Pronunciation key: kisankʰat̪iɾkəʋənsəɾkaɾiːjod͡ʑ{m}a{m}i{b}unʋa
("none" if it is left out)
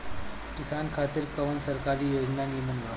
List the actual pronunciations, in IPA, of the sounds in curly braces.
n, n, m

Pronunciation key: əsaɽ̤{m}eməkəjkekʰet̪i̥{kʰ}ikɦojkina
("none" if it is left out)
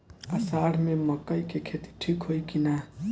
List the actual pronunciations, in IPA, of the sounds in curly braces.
m, ʈʰ

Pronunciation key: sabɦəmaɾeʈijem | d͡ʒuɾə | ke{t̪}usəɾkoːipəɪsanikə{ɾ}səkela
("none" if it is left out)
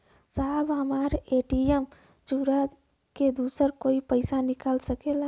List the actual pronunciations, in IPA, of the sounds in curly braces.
d̪, l

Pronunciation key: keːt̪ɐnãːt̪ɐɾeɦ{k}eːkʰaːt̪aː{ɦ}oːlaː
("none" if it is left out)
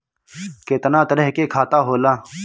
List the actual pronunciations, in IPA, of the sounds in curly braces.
k, ɦ

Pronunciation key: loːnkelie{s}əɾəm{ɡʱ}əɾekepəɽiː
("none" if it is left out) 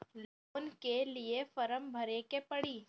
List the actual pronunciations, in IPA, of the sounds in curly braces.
f, bʱ

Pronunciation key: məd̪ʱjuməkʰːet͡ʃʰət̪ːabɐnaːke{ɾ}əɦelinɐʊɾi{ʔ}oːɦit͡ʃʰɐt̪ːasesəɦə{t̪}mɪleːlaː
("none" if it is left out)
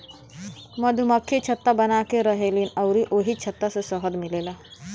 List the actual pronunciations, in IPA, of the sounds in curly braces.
ɾ, ʔ, d̪

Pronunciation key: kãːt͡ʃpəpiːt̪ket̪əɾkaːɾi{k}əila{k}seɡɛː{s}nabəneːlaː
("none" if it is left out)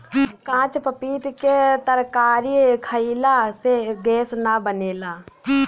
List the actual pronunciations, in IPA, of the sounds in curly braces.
kʰ, none, s

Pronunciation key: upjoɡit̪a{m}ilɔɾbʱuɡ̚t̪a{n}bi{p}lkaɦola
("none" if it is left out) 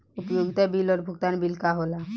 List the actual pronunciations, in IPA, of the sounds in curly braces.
b, n, none

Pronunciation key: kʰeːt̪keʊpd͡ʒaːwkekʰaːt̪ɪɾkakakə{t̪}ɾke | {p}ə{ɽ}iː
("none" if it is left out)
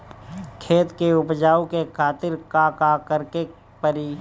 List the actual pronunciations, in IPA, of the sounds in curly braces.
none, p, ɾ

